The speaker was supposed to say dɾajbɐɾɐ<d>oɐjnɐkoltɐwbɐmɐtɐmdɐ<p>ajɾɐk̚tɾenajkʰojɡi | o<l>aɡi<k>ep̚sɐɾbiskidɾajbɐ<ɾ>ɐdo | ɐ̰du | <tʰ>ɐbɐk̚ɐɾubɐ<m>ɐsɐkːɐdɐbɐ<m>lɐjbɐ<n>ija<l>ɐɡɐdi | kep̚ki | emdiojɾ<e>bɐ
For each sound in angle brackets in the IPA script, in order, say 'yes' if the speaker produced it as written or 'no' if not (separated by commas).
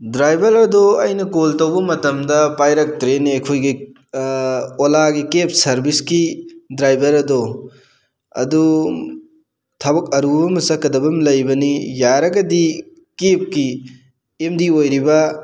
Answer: yes, yes, yes, yes, yes, yes, yes, yes, yes, no, no